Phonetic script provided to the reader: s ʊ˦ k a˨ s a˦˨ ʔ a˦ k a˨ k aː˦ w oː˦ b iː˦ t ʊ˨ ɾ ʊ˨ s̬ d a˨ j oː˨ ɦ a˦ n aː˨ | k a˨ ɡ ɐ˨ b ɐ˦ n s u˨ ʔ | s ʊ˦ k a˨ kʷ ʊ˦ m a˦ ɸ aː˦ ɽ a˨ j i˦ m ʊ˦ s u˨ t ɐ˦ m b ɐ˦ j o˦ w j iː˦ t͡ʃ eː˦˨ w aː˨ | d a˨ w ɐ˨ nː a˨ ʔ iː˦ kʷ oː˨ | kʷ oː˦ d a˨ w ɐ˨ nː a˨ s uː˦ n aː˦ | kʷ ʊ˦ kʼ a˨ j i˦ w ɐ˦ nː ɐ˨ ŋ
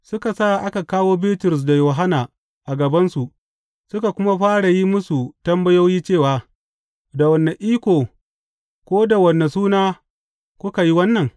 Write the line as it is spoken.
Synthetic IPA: s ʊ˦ k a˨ s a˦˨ ʔ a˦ k a˨ k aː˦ w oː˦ b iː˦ t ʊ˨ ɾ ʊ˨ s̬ d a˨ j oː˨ ɦ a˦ n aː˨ | ʔ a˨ ɡ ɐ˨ b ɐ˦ n s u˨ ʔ | s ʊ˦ k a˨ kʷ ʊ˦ m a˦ ɸ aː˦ ɽ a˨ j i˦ m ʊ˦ s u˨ t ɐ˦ m b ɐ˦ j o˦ w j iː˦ t͡ʃ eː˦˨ w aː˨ | d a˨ w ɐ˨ nː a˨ ʔ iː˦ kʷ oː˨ | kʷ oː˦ d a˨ w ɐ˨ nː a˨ s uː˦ n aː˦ | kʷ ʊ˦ k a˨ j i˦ w ɐ˦ nː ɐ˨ ŋ